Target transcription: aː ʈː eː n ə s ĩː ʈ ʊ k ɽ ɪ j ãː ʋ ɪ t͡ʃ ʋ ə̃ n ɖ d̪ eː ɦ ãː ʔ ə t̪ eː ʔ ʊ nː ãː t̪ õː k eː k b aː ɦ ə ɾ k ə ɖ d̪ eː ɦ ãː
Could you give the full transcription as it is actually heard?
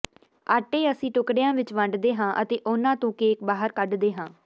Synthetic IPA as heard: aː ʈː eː ə s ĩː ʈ ʊ k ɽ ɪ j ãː ʋ ɪ t͡ʃ ʋ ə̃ ɳ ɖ d̪ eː ɦ ãː ʔ ə t̪ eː ʔ ʊ n ãː t̪ õː k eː k b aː ɦ ə ɾ k ə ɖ d̪ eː ɦ ãː